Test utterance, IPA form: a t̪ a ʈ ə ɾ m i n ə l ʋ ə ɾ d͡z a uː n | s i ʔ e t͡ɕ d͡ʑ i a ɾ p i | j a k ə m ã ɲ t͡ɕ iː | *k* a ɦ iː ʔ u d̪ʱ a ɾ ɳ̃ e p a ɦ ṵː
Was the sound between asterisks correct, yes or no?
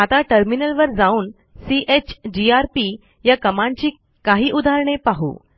yes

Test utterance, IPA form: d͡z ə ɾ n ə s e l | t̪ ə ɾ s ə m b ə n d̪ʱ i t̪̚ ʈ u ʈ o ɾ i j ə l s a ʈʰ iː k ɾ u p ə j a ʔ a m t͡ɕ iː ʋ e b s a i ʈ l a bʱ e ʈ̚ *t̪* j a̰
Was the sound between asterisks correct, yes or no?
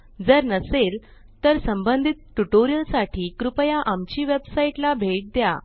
no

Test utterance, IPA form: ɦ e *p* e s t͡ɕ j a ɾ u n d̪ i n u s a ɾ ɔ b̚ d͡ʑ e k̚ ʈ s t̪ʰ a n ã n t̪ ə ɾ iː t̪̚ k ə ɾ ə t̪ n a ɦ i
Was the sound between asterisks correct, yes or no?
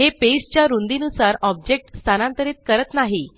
yes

